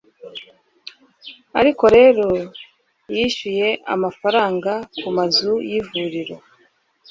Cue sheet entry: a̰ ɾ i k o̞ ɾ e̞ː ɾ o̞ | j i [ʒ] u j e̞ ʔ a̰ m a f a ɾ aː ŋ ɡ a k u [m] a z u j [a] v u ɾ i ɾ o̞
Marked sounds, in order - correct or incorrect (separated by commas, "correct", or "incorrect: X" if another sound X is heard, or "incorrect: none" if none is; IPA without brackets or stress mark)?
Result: incorrect: ʃ, correct, incorrect: i